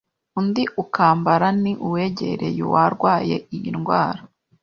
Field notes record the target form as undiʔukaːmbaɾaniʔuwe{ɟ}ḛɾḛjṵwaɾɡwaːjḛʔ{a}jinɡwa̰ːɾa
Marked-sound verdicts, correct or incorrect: correct, incorrect

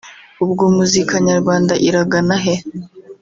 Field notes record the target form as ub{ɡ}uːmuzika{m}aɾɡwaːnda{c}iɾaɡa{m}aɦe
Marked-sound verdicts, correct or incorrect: correct, incorrect, incorrect, incorrect

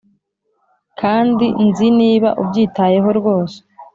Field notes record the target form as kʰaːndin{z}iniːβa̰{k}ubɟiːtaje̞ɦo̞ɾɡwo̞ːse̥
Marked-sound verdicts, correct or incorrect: correct, incorrect

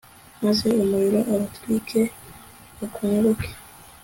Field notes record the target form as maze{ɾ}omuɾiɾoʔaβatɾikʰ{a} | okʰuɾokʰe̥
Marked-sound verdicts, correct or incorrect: incorrect, incorrect

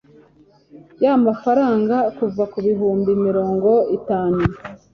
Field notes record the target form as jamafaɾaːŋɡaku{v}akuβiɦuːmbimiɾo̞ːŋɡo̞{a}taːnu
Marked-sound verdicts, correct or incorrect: correct, incorrect

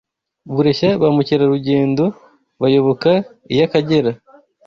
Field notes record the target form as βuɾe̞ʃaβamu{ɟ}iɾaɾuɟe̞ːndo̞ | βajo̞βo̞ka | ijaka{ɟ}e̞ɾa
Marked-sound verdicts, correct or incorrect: incorrect, correct

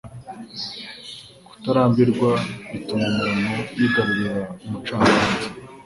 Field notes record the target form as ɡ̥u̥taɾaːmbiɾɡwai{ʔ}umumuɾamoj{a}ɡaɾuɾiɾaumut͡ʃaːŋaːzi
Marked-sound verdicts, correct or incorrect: incorrect, incorrect

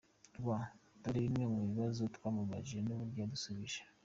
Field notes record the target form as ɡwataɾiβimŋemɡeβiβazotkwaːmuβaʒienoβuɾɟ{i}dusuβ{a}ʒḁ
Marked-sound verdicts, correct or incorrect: incorrect, incorrect

